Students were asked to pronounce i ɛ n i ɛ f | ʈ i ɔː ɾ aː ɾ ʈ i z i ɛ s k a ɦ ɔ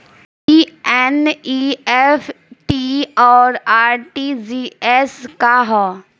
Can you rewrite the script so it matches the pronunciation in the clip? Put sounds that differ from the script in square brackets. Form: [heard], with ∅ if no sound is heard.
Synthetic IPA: i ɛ n i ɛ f | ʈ i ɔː ɾ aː ɾ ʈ i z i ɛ s k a ɦ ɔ